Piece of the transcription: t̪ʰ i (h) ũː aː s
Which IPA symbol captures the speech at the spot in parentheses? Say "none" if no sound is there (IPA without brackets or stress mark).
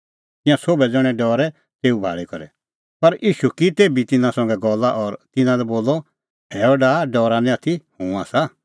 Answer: h